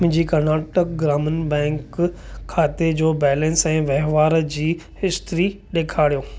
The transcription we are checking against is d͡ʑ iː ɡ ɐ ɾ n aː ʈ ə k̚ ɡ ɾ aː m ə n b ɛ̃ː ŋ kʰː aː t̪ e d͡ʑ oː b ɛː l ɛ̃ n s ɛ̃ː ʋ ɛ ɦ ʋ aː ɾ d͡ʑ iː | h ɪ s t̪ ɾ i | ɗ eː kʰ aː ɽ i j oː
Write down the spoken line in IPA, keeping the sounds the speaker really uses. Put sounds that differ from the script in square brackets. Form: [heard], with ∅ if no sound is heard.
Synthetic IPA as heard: d͡ʑ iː [k] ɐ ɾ n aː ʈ ə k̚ ɡ ɾ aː m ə n b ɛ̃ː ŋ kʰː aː t̪ e d͡ʑ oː b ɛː l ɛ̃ n s ɛ̃ː ʋ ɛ ɦ ʋ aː ɾ d͡ʑ iː | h ɪ s t̪ ɾ i | ɗ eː kʰ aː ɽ i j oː